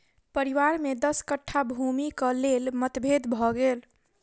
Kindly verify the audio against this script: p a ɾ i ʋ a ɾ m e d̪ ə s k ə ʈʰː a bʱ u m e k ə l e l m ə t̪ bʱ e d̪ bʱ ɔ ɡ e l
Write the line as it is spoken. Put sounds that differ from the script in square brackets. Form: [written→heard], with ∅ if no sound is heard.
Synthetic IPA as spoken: p [a→ə] ɾ i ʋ a ɾ m e d̪ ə s k ə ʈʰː a bʱ u m [e→i] k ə l e l m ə t̪ bʱ e d̪ bʱ ɔ ɡ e l